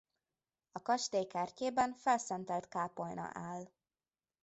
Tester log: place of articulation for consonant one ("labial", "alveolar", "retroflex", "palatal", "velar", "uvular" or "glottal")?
velar